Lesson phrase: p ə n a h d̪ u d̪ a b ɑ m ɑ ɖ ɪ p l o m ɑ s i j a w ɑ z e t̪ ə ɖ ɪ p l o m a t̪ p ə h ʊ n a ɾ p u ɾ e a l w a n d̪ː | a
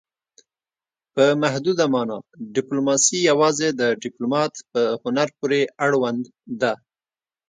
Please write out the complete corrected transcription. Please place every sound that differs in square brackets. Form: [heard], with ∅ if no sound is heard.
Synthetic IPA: p ə [m] a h d̪ u d̪ a [m] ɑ [n] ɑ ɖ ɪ p l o m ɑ s i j a w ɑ z e [d̪] ə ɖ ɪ p l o m [ɑ] t̪ p ə h ʊ n a ɾ p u ɾ e a [ɽ] w a n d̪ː | a